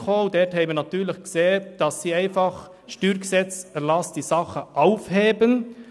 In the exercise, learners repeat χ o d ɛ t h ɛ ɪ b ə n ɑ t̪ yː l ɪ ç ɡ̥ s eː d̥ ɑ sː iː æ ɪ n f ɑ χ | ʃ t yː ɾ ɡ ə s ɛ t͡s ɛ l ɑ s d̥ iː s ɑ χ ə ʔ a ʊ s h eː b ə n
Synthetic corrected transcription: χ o d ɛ t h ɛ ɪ b ə n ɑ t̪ yː l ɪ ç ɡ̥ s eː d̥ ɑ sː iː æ ɪ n f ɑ χ | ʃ t yː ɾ ɡ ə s ɛ t͡s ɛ l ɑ s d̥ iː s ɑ χ ə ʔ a ʊ f h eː b ə n

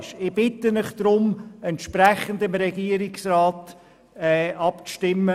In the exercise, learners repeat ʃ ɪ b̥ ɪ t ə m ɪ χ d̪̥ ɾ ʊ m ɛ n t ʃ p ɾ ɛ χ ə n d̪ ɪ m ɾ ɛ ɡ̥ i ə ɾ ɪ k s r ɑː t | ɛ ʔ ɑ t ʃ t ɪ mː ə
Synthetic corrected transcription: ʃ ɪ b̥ ɪ t ə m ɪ χ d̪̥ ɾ ʊ m ɛ n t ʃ p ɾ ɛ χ ə n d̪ ɪ m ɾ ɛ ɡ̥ i ə ɾ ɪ k s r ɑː t | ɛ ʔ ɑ p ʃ t ɪ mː ə

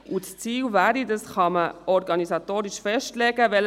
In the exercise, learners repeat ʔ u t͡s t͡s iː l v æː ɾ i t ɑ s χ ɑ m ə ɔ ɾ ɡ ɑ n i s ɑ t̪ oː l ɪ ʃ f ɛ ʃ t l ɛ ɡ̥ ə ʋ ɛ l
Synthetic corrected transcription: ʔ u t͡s t͡s iː l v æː ɾ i d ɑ s χ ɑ m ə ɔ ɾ ɡ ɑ n i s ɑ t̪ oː ɾ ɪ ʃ f ɛ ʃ t l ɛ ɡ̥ ə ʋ ɛ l

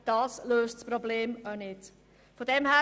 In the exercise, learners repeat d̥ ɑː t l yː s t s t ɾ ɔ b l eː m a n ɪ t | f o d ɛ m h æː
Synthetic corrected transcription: d̥ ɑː s l øː s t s p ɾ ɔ b l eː m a n ɪ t | f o d ɛ m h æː

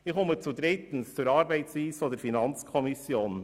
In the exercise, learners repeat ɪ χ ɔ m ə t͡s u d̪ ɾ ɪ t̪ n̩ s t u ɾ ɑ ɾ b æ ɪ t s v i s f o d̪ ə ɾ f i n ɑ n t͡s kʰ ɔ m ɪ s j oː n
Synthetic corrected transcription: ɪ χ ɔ m ə t͡s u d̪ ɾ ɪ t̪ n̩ s t͡s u ɾ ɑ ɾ b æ ɪ t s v iː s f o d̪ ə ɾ f i n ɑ n t͡s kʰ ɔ m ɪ s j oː n

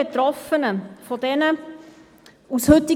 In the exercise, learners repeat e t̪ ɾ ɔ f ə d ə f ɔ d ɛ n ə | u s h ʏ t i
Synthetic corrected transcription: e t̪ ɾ ɔ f ə n ə f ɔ d ɛ n ə | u s h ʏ t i

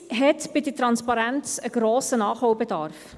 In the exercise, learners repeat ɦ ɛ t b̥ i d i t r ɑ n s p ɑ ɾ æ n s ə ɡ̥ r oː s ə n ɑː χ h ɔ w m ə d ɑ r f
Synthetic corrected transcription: ɦ ɛ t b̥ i d i t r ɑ n s p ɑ ɾ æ n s ə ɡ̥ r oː s ə n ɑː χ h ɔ w b ə d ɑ r f

